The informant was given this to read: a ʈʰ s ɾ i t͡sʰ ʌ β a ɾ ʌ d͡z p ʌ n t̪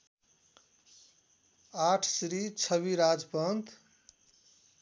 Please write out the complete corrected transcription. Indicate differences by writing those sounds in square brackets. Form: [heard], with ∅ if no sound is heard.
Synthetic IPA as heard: a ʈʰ s ɾ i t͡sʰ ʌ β [i] ɾ [a] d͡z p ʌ n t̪